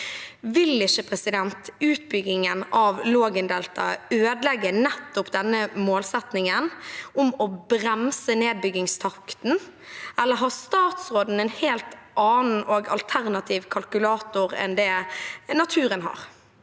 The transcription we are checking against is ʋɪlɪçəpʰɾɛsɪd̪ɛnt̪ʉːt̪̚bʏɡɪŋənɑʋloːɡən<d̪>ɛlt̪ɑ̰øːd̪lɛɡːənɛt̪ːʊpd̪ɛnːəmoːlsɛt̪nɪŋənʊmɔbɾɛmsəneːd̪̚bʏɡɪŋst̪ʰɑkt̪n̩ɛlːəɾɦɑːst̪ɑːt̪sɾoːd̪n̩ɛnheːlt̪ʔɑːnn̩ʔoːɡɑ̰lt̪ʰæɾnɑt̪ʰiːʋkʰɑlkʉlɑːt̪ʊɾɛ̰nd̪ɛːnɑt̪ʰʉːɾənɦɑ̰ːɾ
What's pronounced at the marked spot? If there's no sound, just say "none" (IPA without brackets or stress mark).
d̪